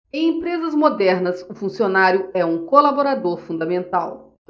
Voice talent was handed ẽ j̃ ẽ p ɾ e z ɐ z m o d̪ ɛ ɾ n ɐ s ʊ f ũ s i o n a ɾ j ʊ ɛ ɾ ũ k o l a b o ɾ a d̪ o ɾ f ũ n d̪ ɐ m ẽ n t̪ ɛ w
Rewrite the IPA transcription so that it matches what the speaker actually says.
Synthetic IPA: ẽ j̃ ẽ p ɾ e z ɐ z m o d̪ ɛ ɾ n ɐ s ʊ f ũ s i o n a ɾ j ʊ ɛ ũ k o l a b o ɾ a d̪ o ɾ f ũ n d̪ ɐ m ẽ n t̪ a w